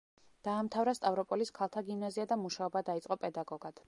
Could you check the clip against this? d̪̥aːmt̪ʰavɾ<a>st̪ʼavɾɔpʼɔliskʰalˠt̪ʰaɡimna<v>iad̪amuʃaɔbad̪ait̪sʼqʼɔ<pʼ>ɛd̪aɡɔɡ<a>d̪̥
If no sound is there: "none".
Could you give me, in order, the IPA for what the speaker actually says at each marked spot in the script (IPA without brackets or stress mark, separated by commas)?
a, z, pʼ, a